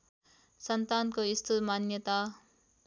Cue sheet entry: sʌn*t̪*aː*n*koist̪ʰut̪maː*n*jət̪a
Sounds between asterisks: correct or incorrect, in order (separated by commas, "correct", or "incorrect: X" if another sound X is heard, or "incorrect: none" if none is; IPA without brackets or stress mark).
correct, correct, correct